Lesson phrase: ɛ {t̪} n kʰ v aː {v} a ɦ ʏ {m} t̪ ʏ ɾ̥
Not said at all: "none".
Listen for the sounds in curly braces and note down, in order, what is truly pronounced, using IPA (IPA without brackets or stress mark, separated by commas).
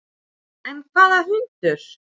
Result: none, ð, n